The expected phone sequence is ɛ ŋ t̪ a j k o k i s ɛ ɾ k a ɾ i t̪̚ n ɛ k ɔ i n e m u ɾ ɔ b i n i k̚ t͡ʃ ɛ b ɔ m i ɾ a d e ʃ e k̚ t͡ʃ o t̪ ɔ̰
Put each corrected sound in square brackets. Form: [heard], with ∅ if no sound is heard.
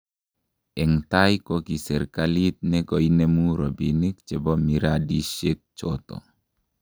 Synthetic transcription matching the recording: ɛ ŋ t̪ a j k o k i s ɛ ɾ k a [l] i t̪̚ n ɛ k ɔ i n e m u ɾ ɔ b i n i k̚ t͡ʃ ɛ b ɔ m i ɾ a d [i] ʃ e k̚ t͡ʃ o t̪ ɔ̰